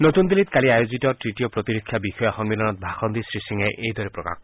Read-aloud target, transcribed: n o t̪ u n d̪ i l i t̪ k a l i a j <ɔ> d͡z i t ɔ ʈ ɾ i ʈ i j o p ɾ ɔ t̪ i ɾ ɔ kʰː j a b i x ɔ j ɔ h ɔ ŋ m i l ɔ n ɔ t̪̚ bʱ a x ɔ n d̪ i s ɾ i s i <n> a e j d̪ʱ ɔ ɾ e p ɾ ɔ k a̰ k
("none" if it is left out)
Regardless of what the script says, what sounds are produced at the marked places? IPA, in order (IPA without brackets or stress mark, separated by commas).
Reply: o, ŋ